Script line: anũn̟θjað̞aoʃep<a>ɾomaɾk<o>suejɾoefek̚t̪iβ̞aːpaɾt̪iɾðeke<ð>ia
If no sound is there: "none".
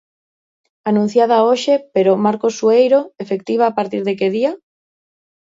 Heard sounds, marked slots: e, o, ð

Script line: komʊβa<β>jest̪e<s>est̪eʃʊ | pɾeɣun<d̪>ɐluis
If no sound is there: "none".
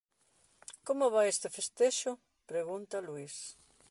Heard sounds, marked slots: none, f, t̪

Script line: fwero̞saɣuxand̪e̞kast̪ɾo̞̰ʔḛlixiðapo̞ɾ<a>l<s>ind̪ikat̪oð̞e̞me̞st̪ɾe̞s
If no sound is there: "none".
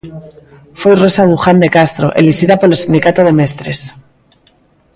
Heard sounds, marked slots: e, s

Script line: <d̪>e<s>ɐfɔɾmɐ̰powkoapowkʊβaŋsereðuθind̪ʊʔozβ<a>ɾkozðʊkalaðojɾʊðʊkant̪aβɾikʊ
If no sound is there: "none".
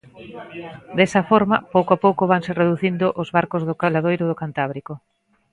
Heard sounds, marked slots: d̪, s, a

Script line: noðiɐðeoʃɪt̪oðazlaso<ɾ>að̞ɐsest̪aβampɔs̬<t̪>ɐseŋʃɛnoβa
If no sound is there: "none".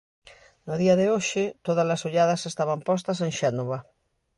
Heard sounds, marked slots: ʎ, t̪

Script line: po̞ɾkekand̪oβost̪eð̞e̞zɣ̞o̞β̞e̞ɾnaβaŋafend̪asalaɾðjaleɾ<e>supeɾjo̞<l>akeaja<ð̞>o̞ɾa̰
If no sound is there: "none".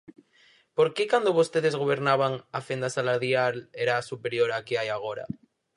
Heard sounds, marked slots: a, ɾ, ɣ̞

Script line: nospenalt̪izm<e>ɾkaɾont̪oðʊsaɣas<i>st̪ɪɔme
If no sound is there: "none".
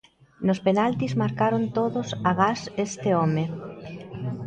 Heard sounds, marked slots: a, e

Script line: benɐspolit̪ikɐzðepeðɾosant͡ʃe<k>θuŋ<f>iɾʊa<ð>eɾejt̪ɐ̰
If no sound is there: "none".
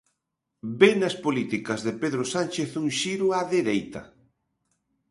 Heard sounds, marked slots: none, ʃ, ð

